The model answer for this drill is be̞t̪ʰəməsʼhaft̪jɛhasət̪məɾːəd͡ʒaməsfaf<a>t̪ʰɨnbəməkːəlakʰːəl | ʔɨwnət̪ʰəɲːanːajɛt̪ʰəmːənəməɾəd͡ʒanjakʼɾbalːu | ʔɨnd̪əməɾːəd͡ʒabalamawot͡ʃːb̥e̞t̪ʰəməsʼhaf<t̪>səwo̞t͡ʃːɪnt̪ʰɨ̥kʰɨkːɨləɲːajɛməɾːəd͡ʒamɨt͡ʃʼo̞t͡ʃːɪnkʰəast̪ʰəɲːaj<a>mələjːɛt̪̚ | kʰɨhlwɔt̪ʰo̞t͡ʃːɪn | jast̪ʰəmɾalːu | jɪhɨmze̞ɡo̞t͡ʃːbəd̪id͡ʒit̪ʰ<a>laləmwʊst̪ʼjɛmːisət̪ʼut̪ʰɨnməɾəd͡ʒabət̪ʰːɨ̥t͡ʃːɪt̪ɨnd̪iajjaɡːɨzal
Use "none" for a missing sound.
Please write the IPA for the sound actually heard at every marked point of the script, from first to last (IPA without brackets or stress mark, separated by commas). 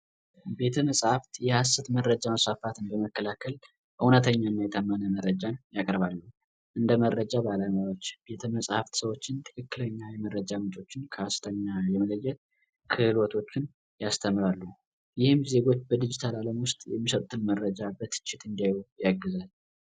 a, t̪, ɛ, a